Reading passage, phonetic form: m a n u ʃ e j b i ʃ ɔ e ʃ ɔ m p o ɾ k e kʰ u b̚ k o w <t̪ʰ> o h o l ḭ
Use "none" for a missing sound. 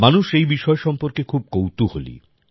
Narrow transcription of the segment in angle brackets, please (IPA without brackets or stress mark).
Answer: t̪